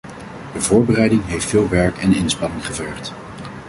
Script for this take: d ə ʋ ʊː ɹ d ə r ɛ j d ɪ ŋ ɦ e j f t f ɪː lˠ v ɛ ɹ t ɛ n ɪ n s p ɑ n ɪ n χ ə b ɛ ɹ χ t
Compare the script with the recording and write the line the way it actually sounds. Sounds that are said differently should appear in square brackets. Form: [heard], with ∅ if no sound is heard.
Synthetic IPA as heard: d ə [v] ʊː ɹ [b] ə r ɛ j d ɪ ŋ ɦ e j f t f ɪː lˠ [ʋ] ɛ ɹ [k] ɛ n ɪ n s p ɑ n ɪ [ŋ] χ ə [v] ɛ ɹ χ t